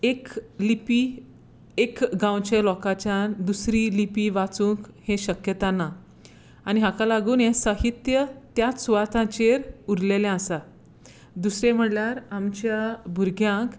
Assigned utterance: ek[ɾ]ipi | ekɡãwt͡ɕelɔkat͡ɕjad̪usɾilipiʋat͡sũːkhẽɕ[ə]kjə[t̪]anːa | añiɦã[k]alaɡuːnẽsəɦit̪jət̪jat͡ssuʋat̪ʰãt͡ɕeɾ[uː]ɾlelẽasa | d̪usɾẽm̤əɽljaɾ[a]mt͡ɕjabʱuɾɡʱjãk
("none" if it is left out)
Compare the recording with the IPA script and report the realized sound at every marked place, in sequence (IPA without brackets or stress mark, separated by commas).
l, ə, t̪, k, u, a